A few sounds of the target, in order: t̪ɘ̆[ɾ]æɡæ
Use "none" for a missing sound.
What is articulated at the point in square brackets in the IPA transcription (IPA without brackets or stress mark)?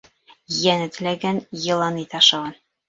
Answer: l